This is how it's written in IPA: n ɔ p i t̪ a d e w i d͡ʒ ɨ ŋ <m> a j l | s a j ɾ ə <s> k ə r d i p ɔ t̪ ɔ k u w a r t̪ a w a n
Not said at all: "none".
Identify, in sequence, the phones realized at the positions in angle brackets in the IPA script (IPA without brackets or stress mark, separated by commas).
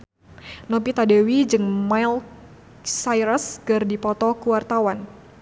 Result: m, s